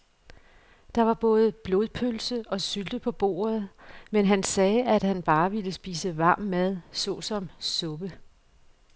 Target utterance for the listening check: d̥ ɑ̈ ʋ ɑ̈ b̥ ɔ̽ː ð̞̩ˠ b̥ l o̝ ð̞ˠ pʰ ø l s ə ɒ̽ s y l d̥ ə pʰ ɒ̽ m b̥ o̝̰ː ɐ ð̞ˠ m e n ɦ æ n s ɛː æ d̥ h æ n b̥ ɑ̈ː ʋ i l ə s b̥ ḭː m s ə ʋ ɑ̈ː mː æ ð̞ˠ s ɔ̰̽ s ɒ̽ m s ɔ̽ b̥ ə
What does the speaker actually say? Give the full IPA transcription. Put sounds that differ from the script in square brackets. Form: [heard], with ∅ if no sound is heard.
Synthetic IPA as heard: d̥ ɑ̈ ʋ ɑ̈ b̥ ɔ̽ː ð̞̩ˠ b̥ l o̝ ð̞ˠ pʰ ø l s ə ɒ̽ s y l d̥ ə pʰ ɒ̽ [∅] b̥ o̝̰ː ɐ ð̞ˠ m e n ɦ æ n s ɛː æ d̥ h æ n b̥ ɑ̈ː ʋ i l ə s b̥ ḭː [∅] s ə ʋ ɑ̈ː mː æ ð̞ˠ s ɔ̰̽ s ɒ̽ m s ɔ̽ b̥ ə